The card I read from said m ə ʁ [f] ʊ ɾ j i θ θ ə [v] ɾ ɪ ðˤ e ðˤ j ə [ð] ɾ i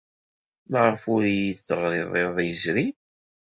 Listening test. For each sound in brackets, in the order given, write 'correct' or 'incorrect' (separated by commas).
correct, incorrect, incorrect